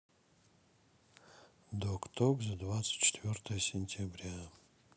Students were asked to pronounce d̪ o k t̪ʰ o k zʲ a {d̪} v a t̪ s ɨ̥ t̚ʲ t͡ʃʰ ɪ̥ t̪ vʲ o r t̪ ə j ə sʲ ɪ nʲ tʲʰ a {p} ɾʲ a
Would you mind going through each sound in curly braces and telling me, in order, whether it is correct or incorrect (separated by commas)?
correct, incorrect